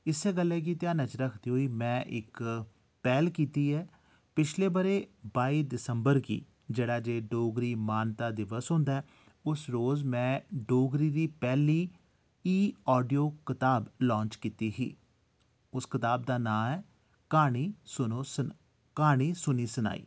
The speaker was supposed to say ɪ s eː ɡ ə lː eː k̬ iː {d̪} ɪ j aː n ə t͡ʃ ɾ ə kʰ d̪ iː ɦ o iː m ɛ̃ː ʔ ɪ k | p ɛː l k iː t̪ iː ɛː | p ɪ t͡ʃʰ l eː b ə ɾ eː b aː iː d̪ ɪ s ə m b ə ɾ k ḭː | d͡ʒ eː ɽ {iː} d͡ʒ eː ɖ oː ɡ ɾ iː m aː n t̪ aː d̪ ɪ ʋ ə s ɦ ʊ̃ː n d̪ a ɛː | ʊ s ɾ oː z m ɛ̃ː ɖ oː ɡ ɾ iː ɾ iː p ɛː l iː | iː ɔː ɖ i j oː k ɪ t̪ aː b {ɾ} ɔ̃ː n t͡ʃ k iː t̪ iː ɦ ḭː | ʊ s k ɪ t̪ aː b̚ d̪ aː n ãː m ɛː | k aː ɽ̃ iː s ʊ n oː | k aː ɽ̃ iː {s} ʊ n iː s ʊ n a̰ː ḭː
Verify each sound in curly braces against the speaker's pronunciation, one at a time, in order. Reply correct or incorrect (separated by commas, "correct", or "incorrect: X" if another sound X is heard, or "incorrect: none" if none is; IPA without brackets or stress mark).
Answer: incorrect: t̪, incorrect: aː, incorrect: l, correct